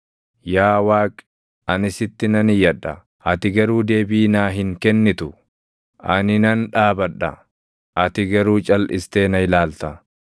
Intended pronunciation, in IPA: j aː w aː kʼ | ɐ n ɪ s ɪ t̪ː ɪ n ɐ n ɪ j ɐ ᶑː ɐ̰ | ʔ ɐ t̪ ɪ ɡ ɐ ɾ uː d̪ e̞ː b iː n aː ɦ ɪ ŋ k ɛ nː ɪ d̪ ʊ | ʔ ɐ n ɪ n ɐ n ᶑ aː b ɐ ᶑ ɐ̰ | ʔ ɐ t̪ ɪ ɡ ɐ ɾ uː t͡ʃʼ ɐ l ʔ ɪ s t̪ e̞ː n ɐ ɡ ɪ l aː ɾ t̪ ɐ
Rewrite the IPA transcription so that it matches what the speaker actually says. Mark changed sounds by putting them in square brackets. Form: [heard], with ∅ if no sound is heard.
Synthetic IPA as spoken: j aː w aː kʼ | ɐ n ɪ s ɪ t̪ː ɪ n ɐ n ɪ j ɐ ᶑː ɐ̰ | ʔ ɐ t̪ ɪ ɡ ɐ ɾ uː d̪ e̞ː b iː n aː ɦ ɪ ŋ k ɛ nː ɪ [t̪] ʊ | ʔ ɐ n ɪ n ɐ n ᶑ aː b ɐ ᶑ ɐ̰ | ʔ ɐ t̪ ɪ ɡ ɐ ɾ uː t͡ʃʼ ɐ l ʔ ɪ s t̪ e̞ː n ɐ [∅] ɪ l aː [l] t̪ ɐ